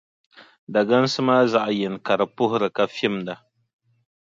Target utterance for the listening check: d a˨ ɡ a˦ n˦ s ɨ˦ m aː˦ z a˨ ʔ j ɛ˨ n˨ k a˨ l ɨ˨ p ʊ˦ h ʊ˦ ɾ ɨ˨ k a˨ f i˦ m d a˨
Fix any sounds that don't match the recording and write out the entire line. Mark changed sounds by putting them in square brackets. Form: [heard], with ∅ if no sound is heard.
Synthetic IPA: d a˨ ɡ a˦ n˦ s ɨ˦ m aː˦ z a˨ ʔ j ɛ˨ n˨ k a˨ [ɾ] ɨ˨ p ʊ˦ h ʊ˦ ɾ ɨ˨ k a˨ f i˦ m d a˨